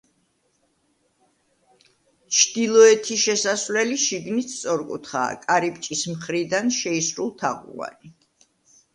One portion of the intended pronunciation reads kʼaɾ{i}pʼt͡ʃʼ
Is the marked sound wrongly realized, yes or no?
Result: no